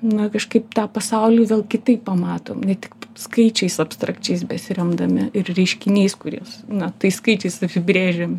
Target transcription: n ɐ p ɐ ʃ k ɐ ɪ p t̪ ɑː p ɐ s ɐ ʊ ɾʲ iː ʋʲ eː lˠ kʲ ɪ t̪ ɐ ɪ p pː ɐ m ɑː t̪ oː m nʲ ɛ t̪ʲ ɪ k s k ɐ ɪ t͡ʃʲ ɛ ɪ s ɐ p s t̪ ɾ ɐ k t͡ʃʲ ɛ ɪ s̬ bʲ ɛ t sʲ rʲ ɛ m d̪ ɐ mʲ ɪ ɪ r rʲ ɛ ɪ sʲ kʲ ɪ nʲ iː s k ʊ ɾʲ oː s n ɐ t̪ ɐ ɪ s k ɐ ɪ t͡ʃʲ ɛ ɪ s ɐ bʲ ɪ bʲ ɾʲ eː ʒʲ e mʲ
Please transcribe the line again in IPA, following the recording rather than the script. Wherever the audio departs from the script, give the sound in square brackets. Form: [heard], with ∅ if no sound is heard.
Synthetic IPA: n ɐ [k] ɐ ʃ k ɐ ɪ p t̪ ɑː p ɐ s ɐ ʊ [lʲ] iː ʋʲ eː lˠ kʲ ɪ t̪ ɐ ɪ p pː ɐ m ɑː t̪ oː m nʲ ɛ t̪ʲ ɪ k s k ɐ ɪ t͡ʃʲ ɛ ɪ s ɐ p s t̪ ɾ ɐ k t͡ʃʲ ɛ ɪ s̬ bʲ ɛ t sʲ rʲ ɛ m d̪ ɐ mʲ ɪ ɪ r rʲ ɛ ɪ [ʃʲ] kʲ ɪ nʲ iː s k ʊ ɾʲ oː s n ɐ t̪ ɐ ɪ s k ɐ ɪ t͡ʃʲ ɛ ɪ s ɐ [pʲ] ɪ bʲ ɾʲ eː ʒʲ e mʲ